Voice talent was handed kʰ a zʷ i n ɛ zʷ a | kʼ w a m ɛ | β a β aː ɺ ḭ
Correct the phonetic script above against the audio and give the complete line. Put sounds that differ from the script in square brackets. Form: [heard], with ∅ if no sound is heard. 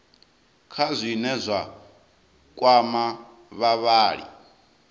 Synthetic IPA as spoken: kʰ a zʷ i n ɛ zʷ a | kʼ w a m [a] | β a β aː ɺ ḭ